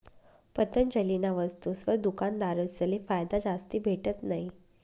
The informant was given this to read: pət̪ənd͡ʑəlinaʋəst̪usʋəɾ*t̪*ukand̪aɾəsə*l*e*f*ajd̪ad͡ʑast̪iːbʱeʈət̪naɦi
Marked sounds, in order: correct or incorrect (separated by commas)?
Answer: incorrect, correct, correct